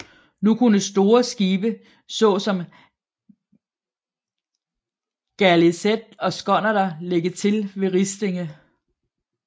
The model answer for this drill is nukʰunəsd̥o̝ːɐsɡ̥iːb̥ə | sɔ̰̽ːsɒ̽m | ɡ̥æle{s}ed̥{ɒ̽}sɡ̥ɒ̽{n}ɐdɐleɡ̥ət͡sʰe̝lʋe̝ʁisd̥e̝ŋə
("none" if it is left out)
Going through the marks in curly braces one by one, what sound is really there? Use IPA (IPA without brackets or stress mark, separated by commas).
s, ɒ̽, n